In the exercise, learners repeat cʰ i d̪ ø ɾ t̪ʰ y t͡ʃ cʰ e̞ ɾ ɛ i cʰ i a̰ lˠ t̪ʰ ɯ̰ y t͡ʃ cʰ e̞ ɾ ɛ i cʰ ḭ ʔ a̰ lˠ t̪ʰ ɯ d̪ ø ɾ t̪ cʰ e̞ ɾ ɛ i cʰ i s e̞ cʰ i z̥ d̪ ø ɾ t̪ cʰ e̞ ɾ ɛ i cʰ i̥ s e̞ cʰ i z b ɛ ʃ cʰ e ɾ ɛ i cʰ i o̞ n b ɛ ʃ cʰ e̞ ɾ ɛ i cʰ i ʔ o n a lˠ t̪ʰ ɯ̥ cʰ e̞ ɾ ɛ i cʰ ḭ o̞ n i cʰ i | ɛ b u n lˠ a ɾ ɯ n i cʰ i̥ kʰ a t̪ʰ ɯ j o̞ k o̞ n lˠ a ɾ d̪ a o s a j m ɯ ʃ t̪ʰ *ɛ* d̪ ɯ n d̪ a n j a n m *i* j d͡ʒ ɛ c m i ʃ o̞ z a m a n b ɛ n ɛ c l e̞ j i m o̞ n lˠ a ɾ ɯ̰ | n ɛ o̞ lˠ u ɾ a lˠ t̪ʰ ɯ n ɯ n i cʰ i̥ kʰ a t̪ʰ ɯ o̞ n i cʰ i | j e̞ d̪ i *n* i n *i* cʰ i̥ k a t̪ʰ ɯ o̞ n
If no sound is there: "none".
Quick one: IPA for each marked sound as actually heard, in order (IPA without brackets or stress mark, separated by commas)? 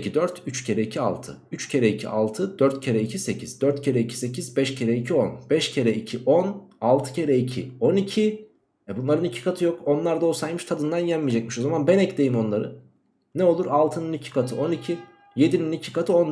a, i, n, i